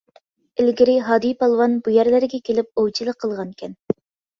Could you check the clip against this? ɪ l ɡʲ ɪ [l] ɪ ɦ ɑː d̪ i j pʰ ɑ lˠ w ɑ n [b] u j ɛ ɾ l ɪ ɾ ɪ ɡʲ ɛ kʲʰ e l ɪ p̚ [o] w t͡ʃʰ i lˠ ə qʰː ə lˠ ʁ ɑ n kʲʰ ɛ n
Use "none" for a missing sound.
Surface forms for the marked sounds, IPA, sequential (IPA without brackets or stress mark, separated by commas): ɾ, b, o